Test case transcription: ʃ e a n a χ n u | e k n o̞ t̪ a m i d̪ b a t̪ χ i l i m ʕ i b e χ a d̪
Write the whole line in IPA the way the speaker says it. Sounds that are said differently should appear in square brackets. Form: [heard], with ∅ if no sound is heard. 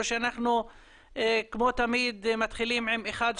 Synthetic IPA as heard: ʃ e a n a χ n u | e k [m] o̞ t̪ a m i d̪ [m] a t̪ χ i l i m ʕ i [m] e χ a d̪